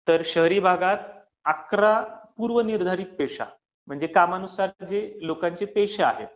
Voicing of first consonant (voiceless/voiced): voiceless